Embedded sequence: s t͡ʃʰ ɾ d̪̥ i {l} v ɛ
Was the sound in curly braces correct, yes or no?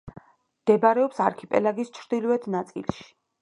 yes